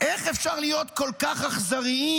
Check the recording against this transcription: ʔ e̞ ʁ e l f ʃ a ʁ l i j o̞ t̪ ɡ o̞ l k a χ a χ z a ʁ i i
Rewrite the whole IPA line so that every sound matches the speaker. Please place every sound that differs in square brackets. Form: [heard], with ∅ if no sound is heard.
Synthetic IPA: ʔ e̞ [χ] e [∅] f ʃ a ʁ l i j o̞ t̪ [k] o̞ l k a χ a χ z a ʁ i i